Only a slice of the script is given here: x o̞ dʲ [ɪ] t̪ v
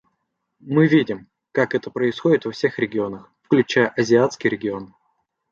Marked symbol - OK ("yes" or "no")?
yes